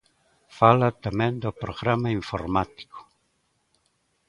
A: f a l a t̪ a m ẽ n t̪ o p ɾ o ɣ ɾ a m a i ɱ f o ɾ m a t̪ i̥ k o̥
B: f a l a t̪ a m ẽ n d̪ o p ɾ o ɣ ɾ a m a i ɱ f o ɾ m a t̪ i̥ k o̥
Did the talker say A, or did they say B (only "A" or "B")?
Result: B